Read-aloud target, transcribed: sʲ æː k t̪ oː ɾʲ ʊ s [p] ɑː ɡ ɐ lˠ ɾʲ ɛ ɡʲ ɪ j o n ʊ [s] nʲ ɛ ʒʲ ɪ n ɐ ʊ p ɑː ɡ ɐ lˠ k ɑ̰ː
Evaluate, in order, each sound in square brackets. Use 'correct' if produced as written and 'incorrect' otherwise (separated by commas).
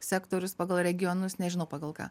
correct, correct